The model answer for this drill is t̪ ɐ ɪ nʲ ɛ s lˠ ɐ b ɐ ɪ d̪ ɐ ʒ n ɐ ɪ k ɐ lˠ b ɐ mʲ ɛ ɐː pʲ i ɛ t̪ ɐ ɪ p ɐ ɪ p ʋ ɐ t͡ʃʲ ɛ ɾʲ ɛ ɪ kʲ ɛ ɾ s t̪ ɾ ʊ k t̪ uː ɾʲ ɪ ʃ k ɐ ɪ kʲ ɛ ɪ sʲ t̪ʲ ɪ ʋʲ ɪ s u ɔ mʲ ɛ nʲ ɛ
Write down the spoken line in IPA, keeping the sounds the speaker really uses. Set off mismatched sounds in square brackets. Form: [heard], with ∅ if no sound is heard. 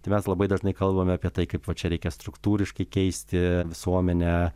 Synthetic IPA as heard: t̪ ɐ ɪ [mʲ] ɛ s lˠ ɐ b ɐ ɪ d̪ ɐ ʒ n ɐ ɪ k ɐ lˠ b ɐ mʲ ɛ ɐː pʲ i ɛ t̪ ɐ ɪ [k] ɐ ɪ p ʋ ɐ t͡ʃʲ ɛ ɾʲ ɛ ɪ kʲ ɛ [∅] s t̪ ɾ ʊ k t̪ uː ɾʲ ɪ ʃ k ɐ ɪ kʲ ɛ ɪ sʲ t̪ʲ ɪ ʋʲ ɪ s u ɔ mʲ ɛ nʲ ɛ